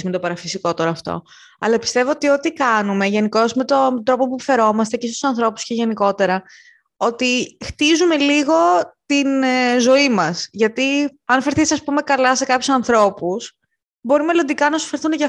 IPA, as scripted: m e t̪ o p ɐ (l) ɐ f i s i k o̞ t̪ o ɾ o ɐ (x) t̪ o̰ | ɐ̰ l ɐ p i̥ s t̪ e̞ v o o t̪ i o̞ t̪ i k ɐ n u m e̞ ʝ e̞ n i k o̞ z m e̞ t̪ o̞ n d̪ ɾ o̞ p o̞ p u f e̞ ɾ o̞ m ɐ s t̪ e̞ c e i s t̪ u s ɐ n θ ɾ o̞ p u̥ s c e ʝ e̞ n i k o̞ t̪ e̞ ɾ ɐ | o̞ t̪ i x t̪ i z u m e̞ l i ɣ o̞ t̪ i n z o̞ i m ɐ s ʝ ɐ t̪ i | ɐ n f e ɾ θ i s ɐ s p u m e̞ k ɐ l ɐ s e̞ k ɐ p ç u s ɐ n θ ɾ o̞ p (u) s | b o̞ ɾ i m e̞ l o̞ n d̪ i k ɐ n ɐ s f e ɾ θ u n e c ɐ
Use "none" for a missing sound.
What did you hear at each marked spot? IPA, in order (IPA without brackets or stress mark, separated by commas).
ɾ, f, u